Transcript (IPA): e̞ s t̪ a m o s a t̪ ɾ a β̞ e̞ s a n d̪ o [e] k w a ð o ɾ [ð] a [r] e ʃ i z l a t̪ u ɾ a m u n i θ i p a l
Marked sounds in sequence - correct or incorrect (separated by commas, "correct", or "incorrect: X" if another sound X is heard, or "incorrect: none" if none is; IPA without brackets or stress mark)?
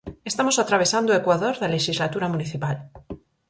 correct, correct, incorrect: l